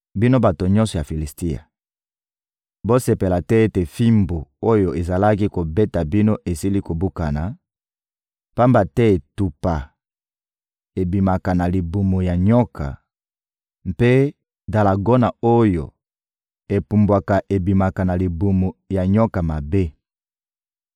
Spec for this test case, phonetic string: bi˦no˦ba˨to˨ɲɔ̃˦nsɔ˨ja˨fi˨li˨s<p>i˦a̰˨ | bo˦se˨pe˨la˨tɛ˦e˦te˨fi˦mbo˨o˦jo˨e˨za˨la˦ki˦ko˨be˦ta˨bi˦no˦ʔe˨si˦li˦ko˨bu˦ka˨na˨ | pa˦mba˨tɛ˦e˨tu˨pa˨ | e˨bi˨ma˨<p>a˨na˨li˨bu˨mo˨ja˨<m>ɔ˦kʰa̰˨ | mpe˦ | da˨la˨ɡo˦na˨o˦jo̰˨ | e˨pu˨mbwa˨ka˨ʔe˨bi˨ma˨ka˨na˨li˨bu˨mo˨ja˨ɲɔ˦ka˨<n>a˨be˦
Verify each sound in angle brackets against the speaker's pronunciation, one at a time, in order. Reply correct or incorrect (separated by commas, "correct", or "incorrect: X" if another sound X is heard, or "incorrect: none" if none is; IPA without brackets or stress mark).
incorrect: t, incorrect: k, incorrect: ɲ, incorrect: m